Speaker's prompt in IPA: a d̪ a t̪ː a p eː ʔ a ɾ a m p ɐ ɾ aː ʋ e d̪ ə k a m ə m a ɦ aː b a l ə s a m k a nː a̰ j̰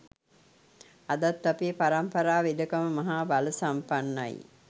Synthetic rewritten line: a d̪ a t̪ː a p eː p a ɾ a m p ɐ ɾ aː ʋ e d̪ ə k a m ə m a ɦ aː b a l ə s a m p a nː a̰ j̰